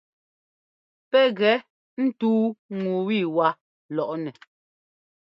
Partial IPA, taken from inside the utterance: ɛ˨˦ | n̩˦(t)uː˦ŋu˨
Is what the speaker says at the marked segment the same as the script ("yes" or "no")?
yes